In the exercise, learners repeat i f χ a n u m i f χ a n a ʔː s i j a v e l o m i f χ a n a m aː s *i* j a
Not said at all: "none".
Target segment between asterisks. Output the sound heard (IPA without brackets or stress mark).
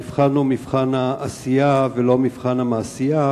i